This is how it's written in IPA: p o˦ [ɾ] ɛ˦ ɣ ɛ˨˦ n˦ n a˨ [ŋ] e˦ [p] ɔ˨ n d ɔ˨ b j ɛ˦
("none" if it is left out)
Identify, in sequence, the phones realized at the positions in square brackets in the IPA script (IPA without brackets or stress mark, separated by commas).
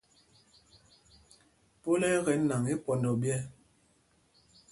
l, ŋ, p